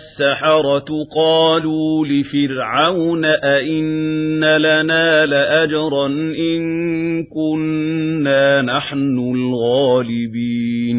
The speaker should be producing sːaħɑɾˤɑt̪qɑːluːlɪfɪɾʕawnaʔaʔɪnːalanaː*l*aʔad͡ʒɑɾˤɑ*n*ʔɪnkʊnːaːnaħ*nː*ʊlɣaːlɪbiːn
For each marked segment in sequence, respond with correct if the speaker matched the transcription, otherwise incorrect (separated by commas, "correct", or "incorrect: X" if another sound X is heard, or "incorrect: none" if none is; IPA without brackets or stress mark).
correct, correct, incorrect: n